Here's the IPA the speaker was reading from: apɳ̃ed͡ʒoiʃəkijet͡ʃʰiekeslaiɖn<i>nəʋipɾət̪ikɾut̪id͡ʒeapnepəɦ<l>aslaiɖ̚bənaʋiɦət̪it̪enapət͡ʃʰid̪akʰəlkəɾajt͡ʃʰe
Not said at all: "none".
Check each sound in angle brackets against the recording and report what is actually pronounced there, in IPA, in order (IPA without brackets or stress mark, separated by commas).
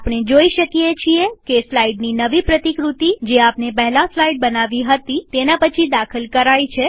i, l